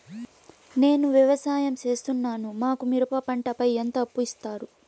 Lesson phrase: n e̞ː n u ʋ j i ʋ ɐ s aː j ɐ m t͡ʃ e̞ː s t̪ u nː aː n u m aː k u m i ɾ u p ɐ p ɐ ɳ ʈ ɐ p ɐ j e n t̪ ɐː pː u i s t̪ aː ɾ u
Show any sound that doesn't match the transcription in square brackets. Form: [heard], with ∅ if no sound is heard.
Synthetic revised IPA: n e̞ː n u ʋ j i ʋ ɐ s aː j ɐ m t͡ʃ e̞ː s t̪ u nː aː n u m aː k u m i ɾ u p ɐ p ɐ ɳ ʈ ɐ p ɐ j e n t̪ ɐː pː u i s t̪ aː ɾ u